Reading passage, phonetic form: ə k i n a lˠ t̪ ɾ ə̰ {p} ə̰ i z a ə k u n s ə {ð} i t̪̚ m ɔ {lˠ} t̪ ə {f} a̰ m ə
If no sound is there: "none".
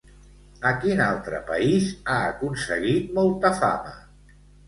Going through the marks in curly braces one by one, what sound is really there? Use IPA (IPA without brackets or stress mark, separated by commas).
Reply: p, ɣ, lˠ, f